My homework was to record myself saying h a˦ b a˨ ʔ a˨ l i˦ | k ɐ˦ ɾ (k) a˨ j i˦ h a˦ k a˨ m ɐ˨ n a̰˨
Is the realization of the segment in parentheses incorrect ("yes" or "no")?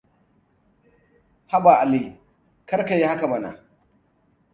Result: no